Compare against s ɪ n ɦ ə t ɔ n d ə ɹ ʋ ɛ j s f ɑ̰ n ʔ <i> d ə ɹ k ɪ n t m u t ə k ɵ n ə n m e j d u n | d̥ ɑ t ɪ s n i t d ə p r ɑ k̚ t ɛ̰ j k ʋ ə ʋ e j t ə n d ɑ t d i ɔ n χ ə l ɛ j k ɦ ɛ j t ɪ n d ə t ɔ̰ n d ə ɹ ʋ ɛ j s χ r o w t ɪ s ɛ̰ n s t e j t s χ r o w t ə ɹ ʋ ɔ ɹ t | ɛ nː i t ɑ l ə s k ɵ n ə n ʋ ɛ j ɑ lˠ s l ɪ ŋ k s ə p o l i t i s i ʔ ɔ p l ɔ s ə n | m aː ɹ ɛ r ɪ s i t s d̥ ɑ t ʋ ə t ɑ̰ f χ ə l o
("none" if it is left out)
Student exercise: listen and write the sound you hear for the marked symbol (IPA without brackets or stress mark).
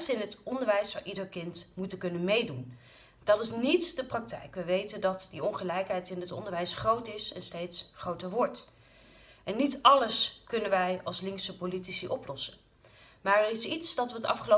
i